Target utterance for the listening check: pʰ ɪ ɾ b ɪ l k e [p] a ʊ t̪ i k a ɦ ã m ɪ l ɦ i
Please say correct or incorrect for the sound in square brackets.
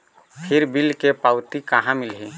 correct